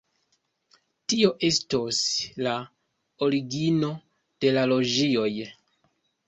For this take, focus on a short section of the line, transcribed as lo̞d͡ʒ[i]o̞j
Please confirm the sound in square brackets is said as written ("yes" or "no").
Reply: yes